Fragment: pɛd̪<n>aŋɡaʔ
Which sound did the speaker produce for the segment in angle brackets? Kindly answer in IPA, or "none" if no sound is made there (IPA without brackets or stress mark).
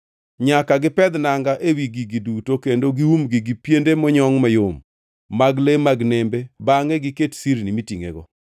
n